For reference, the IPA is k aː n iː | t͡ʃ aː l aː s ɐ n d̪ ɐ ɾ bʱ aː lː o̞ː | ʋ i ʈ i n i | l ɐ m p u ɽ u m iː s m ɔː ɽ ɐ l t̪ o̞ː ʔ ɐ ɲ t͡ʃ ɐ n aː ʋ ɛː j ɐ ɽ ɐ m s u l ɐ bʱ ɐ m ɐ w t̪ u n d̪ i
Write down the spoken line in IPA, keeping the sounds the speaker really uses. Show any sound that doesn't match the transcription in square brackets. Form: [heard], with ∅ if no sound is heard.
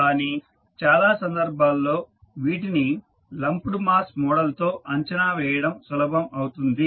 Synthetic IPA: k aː n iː | t͡ʃ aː l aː s ɐ n d̪ ɐ ɾ bʱ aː lː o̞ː | ʋ [iː] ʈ i n i | l ɐ m p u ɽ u m [aː] s m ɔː ɽ ɐ l t̪ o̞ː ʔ ɐ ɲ t͡ʃ ɐ n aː ʋ ɛː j ɐ ɽ ɐ m s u l ɐ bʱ ɐ m ɐ w t̪ u n d̪ i